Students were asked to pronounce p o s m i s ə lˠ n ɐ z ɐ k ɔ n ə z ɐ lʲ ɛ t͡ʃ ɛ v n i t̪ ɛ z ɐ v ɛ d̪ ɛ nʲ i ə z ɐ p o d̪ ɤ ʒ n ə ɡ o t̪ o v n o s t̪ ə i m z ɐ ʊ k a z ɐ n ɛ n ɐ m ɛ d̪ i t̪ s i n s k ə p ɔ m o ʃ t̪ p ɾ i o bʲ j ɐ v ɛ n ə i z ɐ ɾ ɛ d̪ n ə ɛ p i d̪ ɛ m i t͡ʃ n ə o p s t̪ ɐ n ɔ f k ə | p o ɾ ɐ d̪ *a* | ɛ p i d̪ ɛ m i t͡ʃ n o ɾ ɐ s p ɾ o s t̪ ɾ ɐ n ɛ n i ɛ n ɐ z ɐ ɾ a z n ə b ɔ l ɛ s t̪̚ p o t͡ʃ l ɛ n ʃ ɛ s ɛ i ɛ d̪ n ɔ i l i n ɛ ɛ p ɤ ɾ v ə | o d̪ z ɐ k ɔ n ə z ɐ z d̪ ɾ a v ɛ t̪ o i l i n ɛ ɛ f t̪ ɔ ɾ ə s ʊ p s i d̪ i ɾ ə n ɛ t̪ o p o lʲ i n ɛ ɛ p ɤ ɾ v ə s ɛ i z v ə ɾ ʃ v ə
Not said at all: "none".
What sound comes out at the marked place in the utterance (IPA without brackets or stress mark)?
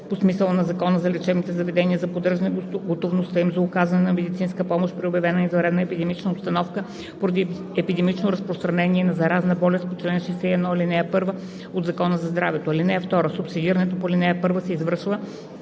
i